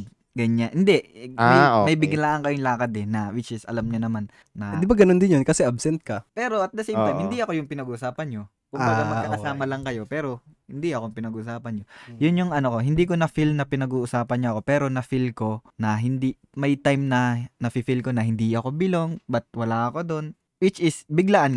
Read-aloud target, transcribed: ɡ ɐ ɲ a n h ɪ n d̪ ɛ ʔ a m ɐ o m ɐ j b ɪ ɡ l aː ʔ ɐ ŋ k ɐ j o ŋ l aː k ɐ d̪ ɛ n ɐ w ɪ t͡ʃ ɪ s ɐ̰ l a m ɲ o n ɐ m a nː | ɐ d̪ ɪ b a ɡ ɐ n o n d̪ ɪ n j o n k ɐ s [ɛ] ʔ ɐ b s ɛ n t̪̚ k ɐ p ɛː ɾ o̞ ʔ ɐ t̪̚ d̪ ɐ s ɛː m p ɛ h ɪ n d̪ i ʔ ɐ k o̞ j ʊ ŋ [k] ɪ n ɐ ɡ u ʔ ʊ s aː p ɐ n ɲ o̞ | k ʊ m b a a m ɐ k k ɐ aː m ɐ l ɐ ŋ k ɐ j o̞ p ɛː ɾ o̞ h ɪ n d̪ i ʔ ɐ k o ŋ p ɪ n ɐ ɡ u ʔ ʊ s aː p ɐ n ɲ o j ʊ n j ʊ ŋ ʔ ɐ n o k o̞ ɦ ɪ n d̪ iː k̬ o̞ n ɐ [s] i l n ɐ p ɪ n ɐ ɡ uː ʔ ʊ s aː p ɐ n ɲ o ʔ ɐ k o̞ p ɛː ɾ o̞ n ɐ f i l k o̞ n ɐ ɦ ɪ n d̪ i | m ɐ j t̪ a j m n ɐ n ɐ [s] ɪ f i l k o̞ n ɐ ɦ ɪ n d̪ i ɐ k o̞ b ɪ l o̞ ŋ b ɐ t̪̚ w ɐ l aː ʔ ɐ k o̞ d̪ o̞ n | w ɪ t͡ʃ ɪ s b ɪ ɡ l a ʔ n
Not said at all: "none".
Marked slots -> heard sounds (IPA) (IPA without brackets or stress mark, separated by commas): ɛ, p, f, f